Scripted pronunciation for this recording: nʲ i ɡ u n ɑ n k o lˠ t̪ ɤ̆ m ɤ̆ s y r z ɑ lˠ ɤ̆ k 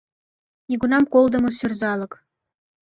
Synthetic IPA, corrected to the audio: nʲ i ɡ u n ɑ m k o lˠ d̪ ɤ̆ m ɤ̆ s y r z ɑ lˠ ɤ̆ k